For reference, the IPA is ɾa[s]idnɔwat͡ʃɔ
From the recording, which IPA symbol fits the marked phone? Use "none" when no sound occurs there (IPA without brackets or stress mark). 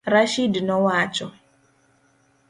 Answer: ʃ